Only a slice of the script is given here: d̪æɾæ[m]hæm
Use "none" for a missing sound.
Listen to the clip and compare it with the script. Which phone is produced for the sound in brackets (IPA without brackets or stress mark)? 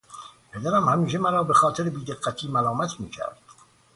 m